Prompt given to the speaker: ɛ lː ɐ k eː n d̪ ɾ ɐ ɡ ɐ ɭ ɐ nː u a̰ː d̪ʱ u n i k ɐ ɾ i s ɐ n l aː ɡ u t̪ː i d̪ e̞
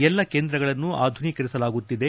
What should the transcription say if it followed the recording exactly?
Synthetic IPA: ɛ lː ɐ k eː n d̪ ɾ ɐ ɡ ɐ ɭ ɐ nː u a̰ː d̪ʱ u n i k ɐ ɾ i s ɐ l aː ɡ u t̪ː i d̪ e̞

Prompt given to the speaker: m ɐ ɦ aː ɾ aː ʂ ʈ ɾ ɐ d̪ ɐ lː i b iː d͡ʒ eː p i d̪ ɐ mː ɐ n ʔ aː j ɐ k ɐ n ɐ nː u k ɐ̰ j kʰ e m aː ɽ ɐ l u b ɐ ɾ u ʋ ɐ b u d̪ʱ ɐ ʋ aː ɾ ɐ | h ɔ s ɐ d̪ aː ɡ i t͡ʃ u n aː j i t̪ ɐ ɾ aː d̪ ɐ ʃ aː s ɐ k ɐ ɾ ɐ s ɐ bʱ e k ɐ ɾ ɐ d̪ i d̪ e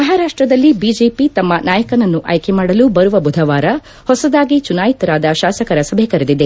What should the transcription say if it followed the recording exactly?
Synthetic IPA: m ɐ ɦ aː ɾ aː ʂ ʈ ɾ ɐ d̪ ɐ lː i b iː d͡ʒ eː p i t̪ ɐ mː ɐ n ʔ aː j ɐ k ɐ n ɐ nː u ʔ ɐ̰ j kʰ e m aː ɽ ɐ l u b ɐ ɾ u ʋ ɐ b u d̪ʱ ɐ ʋ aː ɾ ɐ | h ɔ s ɐ d̪ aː ɡ i t͡ʃ u n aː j i t̪ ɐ ɾ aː d̪ ɐ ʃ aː s ɐ k ɐ ɾ ɐ s ɐ bʱ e k ɐ ɾ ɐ d̪ i d̪ e

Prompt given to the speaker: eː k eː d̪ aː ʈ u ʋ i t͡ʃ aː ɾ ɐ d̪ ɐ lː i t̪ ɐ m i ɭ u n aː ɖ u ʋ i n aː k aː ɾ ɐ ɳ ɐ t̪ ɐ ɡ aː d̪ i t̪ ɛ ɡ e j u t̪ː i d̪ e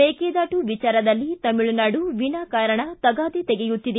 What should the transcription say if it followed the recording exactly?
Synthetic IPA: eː k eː d̪ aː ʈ u ʋ i t͡ʃ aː ɾ ɐ d̪ ɐ lː i t̪ ɐ m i ɭ u n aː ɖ u ʋ i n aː k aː ɾ ɐ ɳ ɐ t̪ ɐ ɡ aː d̪ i t̪ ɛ ɡ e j u t̪ː i d̪ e

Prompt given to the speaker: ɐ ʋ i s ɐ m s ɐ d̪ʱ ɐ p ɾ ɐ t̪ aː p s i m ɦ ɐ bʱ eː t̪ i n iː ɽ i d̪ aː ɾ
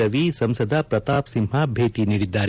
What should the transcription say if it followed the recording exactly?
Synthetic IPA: ɐ ʋ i s ɐ m s ɐ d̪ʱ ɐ p ɾ ɐ t̪ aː p s i m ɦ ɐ bʱ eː t̪ i n iː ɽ i d̪ː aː ɾ

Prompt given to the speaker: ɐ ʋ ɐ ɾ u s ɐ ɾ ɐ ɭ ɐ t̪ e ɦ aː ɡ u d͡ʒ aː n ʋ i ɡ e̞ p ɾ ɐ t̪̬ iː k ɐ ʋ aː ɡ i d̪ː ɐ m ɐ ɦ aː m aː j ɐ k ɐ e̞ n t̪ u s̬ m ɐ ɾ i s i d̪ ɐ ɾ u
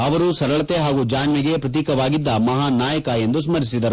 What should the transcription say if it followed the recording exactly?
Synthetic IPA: ɐ ʋ ɐ ɾ u s ɐ ɾ ɐ ɭ ɐ t̪ e ɦ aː ɡ u d͡ʒ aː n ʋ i ɡ e̞ p ɾ ɐ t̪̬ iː k ɐ ʋ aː ɡ i d̪ː ɐ m ɐ ɦ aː n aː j ɐ k ɐ e̞ n d̪ u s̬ m ɐ ɾ i s i d̪ ɐ ɾ u

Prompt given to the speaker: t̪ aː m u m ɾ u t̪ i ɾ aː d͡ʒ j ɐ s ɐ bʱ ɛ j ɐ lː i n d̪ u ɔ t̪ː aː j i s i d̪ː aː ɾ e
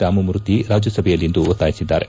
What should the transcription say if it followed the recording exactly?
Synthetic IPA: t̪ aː m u m ɾ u t̪ i ɾ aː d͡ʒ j ɐ s ɐ bʱ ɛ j ɐ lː i n d̪ u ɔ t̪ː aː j i s i d̪ː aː ɾ e

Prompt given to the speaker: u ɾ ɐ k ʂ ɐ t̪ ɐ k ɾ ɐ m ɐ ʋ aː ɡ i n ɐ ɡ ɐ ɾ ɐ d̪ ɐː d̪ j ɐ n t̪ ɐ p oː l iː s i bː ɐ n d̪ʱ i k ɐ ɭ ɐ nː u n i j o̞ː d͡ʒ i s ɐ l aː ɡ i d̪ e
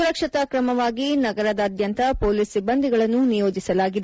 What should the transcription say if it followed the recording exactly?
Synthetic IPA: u ɾ ɐ k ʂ ɐ t̪ ɐ k ɾ ɐ m ɐ ʋ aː ɡ i n ɐ ɡ ɐ ɾ ɐ d̪ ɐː d̪ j ɐ n t̪ ɐ p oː l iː s i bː ɐ n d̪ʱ i ɡ ɐ ɭ ɐ nː u n i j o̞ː d͡ʒ i s ɐ l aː ɡ i d̪ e

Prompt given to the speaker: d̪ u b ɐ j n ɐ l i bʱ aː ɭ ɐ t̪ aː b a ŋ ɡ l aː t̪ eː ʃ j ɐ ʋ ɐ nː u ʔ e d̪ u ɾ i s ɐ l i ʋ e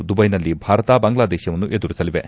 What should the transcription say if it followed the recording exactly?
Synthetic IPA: d̪ u b ɐ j n ɐ lː i bʱ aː ɾ ɐ t̪ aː b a ŋ ɡ l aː d̪ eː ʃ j ɐ ʋ ɐ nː u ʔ e d̪ u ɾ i s ɐ l i ʋ e

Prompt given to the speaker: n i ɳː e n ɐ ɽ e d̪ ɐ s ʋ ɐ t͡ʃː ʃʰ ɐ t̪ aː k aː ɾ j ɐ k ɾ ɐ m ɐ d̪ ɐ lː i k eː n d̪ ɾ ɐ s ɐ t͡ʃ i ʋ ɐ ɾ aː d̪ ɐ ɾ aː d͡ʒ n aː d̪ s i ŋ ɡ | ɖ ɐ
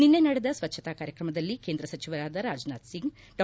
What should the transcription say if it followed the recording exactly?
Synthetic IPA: n i nː e n ɐ ɽ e d̪ ɐ s ʋ ɐ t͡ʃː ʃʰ ɐ t̪ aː k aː ɾ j ɐ k ɾ ɐ m ɐ d̪ ɐ lː i k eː n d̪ ɾ ɐ s ɐ t͡ʃ i ʋ ɐ ɾ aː d̪ ɐ ɾ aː d͡ʒ n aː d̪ s i ŋ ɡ | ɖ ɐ

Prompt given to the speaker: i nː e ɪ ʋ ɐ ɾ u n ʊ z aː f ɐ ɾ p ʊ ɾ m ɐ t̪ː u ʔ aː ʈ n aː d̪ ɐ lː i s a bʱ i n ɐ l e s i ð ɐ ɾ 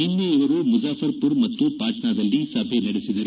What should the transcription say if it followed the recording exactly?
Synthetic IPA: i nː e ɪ ʋ ɐ ɾ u m ʊ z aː f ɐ ɾ p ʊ ɾ m ɐ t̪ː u p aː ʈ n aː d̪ ɐ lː i s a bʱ e n ɐ ɽ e s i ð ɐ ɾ

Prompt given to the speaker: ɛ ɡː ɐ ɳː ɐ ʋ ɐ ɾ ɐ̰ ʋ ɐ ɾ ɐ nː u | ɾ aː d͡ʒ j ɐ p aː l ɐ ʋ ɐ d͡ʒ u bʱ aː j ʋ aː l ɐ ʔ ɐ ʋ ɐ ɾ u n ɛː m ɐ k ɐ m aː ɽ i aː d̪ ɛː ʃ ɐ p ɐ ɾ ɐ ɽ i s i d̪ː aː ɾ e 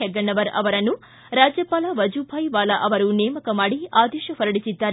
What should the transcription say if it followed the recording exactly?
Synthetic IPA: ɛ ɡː ɐ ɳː ɐ ʋ ɐ ɾ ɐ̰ ʋ ɐ ɾ ɐ nː u | ɾ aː d͡ʒ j ɐ p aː l ɐ ʋ ɐ d͡ʒ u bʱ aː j ʋ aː l ɐ ʔ ɐ ʋ ɐ ɾ u n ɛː m ɐ k ɐ m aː ɽ i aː d̪ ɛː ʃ ɐ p ɐ ɾ ɐ ɽ i s i d̪ː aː ɾ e

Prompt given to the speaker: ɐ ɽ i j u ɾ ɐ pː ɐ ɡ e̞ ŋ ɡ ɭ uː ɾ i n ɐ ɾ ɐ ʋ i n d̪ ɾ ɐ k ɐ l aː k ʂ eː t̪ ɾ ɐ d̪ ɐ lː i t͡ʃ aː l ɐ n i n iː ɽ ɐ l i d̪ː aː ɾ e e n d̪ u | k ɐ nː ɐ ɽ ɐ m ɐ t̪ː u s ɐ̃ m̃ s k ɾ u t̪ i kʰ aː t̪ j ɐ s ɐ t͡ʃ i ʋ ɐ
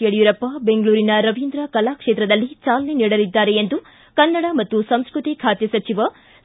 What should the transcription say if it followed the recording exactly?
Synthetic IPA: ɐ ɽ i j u ɾ ɐ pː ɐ b e̞ ŋ ɡ ɭ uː ɾ i n ɐ ɾ ɐ ʋ i n d̪ ɾ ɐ k ɐ l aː k ʂ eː t̪ ɾ ɐ d̪ ɐ lː i t͡ʃ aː l ɐ n e n iː ɽ ɐ l i d̪ː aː ɾ e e n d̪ u | k ɐ nː ɐ ɽ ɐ m ɐ t̪ː u s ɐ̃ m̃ s k ɾ u t̪ i kʰ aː t̪ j ɐ s ɐ t͡ʃ i ʋ ɐ

